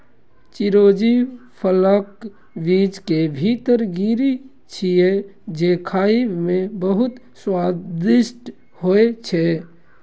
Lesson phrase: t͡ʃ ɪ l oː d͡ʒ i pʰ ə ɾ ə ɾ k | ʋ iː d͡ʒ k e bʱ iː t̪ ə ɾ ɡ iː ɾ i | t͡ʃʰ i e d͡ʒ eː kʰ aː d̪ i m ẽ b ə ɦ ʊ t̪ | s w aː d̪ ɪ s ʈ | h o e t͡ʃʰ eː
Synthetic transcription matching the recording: t͡ʃ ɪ ɾ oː d͡ʒ i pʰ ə l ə k | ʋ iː d͡ʒ k e bʱ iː t̪ ə ɾ ɡ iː ɾ i | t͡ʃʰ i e d͡ʒ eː kʰ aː i m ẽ b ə ɦ ʊ t̪ | s w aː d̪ ɪ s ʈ | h o e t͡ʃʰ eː